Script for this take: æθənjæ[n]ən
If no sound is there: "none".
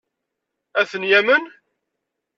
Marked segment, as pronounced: m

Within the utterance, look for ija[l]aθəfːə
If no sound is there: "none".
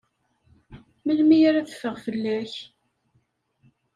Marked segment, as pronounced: ɾ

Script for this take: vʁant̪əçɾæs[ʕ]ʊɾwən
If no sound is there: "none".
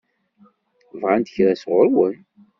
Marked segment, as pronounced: ʁ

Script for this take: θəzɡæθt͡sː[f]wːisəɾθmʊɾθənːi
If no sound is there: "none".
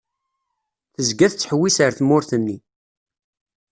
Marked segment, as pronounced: ħ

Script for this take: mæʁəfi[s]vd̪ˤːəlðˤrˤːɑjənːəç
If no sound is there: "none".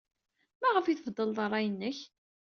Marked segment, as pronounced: θ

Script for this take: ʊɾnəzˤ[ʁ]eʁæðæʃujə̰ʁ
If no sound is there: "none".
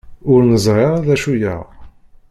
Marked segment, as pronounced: ʁ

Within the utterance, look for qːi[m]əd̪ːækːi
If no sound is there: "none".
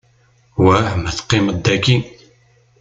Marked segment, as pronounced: m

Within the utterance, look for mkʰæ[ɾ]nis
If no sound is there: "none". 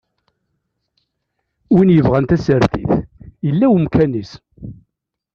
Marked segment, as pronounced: none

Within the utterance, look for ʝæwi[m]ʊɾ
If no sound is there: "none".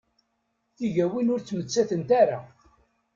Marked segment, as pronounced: n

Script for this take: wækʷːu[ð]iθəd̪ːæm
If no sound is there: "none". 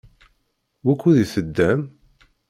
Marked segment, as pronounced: ð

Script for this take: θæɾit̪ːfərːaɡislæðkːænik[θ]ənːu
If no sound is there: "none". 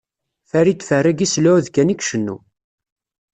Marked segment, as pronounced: ʃ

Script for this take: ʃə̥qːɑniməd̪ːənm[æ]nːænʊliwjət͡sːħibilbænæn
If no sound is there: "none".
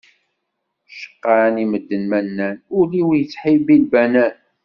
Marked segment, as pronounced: æ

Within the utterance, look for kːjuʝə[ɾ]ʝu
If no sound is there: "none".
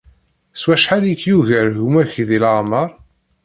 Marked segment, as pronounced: ɾ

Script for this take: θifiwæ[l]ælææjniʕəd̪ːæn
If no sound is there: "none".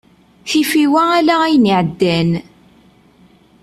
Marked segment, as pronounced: none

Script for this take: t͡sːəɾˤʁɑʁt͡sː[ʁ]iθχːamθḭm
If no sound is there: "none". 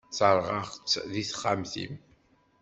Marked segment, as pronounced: ð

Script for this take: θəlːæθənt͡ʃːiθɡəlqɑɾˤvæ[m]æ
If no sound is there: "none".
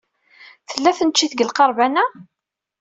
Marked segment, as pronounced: n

